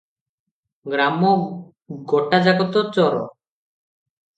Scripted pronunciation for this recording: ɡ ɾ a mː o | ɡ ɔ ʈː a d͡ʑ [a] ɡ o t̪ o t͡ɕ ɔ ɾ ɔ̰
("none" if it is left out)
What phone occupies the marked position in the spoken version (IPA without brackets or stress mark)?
a